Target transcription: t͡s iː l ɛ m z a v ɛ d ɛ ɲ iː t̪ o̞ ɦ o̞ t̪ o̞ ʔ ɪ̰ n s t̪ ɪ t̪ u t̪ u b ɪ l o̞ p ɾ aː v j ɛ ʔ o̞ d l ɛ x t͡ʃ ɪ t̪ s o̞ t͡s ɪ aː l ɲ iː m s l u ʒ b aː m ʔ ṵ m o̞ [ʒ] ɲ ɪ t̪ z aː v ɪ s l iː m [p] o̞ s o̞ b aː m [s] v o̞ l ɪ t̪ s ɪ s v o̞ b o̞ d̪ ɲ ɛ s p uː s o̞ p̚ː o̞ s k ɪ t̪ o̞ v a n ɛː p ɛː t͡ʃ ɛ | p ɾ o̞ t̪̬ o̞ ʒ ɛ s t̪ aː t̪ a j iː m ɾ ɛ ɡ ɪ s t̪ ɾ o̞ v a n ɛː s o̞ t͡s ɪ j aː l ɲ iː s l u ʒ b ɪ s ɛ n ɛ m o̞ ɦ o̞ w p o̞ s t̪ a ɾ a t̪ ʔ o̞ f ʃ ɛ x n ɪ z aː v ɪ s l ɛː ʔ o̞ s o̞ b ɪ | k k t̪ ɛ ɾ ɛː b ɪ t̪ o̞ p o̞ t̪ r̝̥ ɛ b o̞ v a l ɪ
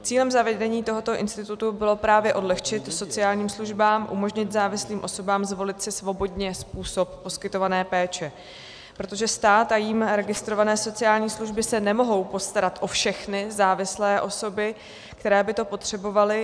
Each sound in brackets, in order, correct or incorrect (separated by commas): correct, incorrect, incorrect